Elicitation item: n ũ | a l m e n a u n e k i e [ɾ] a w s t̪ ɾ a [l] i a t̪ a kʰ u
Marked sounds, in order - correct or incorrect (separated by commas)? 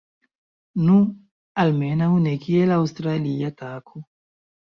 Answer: incorrect, correct